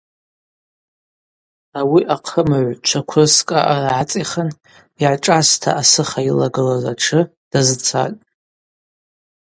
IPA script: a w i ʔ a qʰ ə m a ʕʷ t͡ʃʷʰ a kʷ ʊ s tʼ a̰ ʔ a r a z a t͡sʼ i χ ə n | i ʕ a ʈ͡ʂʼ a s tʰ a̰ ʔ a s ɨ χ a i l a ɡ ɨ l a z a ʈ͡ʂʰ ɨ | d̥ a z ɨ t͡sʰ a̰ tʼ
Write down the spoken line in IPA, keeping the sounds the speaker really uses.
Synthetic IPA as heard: a w i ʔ a qʰ ə m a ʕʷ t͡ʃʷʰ a kʷʰ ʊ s kʼ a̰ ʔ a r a ʕ a t͡sʼ i χ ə n | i ʕ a ʈ͡ʂʼ a s tʰ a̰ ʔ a s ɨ χ a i l a ɡ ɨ l a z a ʈ͡ʂʰ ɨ | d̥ a z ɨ t͡sʰ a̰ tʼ